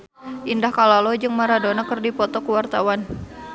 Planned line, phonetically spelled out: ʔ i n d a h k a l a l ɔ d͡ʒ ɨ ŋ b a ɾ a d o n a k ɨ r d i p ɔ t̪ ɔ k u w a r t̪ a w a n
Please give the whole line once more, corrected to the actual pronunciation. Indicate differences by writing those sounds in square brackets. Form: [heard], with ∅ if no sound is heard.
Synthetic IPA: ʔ i n d a h k a l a l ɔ d͡ʒ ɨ ŋ [m] a ɾ a d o n a k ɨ r d i p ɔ t̪ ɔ k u w a r t̪ a w a n